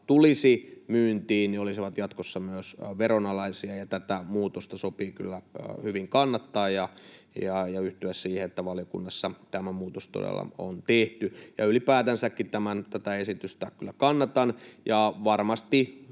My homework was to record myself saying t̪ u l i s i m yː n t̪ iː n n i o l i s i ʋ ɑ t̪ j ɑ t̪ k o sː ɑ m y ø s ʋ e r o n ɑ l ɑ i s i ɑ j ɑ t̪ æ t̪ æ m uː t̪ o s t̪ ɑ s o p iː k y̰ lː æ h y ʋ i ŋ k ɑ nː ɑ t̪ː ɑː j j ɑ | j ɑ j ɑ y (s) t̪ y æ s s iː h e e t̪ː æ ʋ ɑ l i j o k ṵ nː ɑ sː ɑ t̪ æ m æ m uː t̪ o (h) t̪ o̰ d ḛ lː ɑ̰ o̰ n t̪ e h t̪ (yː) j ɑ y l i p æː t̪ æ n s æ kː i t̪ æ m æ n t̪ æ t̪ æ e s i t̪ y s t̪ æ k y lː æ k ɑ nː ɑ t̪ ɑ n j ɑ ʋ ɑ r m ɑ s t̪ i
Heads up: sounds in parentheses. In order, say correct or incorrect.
incorrect, incorrect, incorrect

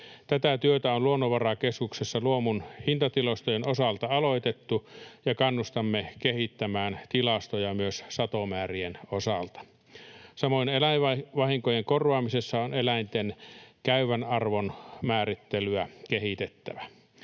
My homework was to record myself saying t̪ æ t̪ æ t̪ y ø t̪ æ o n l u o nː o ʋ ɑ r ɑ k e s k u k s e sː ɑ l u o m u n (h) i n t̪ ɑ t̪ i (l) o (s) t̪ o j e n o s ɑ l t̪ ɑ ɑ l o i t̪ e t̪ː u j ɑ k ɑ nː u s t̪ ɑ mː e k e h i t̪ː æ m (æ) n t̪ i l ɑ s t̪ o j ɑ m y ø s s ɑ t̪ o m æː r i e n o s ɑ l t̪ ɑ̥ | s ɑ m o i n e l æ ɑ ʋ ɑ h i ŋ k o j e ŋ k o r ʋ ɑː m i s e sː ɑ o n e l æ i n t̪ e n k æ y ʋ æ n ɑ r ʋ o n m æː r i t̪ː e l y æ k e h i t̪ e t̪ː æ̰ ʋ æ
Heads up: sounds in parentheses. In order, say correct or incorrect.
correct, correct, correct, incorrect

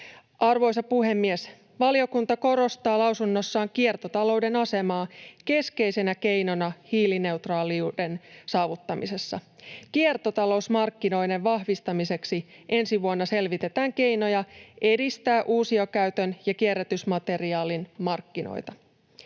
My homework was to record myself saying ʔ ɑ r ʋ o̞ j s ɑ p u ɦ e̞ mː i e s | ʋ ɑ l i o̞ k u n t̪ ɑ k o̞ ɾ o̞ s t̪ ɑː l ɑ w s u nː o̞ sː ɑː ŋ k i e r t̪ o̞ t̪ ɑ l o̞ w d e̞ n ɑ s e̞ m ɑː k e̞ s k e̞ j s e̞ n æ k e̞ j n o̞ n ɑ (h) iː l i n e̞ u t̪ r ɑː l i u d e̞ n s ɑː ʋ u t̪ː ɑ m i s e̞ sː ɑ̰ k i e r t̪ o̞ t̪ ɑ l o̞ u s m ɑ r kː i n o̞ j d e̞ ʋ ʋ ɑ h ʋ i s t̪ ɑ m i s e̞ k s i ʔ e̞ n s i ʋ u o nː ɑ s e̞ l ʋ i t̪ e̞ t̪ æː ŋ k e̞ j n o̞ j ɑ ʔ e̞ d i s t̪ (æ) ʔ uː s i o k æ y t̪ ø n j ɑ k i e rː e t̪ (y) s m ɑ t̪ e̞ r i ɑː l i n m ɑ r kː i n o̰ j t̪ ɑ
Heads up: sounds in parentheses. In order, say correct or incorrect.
correct, incorrect, correct

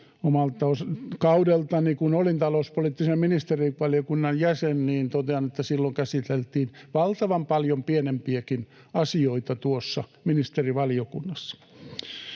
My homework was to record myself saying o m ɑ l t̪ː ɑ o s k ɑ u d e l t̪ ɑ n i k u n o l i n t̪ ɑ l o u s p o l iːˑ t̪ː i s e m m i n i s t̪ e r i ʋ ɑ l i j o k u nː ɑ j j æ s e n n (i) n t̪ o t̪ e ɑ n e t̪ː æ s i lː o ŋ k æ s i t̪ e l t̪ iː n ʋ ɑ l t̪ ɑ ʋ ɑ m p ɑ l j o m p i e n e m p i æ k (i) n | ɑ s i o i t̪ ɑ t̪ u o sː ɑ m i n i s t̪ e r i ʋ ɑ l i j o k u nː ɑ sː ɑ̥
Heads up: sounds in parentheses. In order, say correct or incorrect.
incorrect, correct

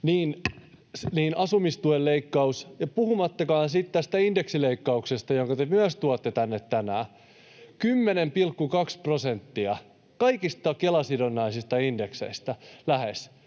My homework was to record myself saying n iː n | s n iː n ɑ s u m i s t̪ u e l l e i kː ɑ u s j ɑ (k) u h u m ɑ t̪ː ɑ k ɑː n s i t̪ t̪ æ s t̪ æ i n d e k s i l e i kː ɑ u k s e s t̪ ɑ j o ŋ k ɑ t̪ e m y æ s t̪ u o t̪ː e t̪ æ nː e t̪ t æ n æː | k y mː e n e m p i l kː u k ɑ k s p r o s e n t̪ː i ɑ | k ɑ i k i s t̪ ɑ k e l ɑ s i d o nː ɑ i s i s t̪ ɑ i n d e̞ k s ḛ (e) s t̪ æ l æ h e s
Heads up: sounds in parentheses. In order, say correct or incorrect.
incorrect, incorrect

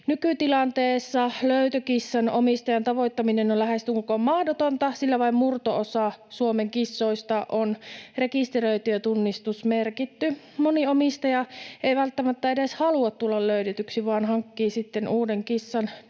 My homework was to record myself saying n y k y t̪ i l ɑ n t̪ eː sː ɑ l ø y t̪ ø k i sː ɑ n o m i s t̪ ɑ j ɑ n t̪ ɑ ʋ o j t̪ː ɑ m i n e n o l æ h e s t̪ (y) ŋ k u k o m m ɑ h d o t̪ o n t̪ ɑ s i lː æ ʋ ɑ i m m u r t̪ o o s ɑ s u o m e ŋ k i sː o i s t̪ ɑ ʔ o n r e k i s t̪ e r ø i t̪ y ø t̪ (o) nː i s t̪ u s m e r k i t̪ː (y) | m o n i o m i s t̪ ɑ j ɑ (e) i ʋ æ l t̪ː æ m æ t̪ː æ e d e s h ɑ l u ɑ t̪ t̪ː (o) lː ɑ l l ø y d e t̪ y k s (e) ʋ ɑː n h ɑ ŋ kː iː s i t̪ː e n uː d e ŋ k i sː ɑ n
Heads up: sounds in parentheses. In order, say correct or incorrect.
correct, incorrect, correct, correct, incorrect, incorrect

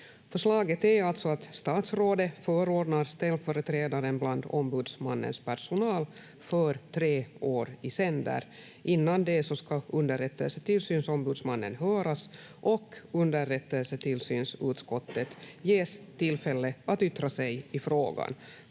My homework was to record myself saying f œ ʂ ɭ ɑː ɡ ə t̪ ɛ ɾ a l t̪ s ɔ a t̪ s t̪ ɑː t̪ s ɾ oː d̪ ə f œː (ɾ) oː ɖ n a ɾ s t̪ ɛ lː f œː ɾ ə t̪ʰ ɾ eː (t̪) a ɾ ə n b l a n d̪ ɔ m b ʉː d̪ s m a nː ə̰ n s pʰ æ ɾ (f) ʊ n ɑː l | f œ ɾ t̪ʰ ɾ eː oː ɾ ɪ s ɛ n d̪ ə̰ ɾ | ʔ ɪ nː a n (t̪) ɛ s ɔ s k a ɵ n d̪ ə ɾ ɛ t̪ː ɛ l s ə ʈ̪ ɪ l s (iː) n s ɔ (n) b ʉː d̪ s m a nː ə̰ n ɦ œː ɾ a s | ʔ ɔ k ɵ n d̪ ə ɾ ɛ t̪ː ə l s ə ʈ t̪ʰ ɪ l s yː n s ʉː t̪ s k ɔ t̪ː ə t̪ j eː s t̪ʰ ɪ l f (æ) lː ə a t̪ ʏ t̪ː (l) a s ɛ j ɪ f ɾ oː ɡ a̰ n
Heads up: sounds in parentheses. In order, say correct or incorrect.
correct, incorrect, incorrect, incorrect, incorrect, incorrect, incorrect, incorrect

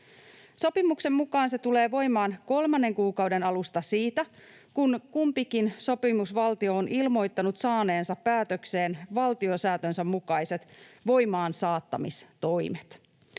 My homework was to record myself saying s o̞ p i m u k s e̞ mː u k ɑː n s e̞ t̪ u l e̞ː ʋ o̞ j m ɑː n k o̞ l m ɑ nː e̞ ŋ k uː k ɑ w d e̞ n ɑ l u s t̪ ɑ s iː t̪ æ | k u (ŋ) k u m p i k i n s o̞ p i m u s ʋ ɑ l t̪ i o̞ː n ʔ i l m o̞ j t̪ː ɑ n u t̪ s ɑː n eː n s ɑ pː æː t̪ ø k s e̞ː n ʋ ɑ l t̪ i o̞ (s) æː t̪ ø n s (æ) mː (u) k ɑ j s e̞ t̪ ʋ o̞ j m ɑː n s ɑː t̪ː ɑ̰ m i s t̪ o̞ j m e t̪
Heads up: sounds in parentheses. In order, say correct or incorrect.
incorrect, correct, correct, correct

